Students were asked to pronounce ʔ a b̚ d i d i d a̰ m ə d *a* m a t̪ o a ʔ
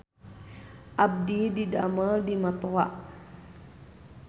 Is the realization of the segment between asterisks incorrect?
yes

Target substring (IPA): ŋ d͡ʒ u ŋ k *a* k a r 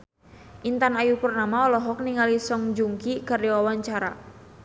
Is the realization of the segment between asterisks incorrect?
yes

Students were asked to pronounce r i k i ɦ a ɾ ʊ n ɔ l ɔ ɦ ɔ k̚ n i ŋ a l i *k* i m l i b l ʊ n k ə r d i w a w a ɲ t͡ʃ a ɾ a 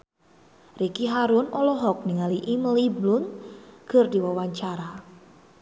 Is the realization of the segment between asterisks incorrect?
yes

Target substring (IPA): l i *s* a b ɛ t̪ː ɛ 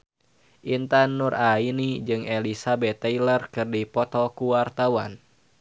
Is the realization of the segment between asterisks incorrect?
no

